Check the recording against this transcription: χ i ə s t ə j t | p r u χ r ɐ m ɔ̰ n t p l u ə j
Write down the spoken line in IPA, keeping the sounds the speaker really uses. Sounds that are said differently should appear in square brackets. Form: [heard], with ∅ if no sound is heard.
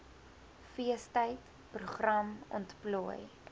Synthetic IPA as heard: [f] i ə s t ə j t | p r u χ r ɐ m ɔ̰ n t p l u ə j